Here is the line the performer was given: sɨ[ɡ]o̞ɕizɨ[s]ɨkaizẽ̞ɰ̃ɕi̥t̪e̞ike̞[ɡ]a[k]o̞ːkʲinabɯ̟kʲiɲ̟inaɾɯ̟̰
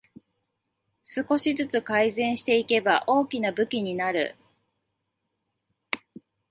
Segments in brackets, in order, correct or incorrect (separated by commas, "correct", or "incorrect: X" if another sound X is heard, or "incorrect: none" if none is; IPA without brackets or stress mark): incorrect: k, incorrect: t͡s, incorrect: b, incorrect: ʔ